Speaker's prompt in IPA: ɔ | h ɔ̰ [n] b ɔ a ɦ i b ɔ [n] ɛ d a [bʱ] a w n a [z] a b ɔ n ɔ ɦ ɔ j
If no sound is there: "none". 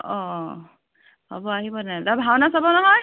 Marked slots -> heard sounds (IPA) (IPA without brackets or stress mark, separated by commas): none, n, bʱ, s